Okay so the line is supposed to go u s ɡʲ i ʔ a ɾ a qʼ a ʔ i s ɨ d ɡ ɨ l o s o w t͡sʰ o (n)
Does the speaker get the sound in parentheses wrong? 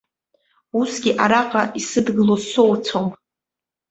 yes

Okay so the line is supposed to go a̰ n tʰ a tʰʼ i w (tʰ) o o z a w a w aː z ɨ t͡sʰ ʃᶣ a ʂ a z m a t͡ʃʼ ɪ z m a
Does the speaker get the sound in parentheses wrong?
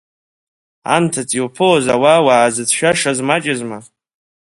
yes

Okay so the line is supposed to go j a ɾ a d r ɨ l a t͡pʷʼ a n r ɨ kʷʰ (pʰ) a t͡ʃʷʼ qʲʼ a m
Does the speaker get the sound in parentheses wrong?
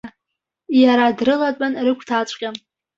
yes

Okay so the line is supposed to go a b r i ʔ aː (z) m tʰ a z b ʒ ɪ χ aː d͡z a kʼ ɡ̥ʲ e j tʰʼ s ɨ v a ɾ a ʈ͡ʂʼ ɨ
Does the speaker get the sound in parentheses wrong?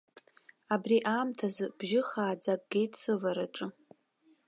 yes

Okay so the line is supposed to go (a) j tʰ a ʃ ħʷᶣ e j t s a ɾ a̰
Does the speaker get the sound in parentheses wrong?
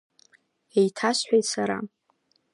yes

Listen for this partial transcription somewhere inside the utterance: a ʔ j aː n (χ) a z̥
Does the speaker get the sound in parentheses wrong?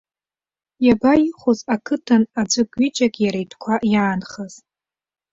no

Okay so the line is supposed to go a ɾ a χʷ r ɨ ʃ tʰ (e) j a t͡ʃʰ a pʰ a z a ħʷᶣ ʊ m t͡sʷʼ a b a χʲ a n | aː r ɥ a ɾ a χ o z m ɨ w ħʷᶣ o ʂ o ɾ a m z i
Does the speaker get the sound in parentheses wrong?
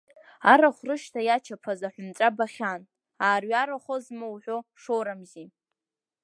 yes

